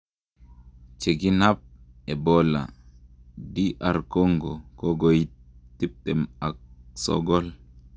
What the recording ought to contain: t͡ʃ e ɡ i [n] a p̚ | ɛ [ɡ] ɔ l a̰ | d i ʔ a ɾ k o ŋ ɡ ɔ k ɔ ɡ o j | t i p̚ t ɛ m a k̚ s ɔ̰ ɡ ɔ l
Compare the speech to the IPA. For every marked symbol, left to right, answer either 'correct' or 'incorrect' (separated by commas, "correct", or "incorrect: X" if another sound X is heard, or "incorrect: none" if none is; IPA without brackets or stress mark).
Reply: correct, incorrect: b